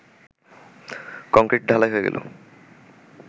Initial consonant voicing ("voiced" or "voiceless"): voiceless